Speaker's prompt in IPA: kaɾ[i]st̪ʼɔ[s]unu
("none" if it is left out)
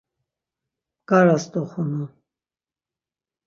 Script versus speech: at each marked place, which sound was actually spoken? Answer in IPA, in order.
a, χ

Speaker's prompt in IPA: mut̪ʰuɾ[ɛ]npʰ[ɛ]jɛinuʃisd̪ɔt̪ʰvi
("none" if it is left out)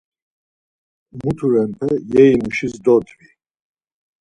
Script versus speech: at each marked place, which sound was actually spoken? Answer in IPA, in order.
ɛ, ɛ

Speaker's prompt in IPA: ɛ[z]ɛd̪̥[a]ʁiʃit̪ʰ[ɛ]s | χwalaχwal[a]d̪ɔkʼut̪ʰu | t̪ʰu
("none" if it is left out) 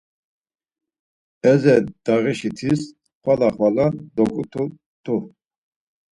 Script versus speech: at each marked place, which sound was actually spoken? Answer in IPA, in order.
z, a, i, a

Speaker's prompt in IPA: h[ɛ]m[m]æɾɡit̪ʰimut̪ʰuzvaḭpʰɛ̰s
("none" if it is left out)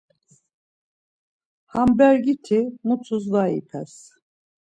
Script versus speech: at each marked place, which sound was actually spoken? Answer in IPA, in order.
a, b

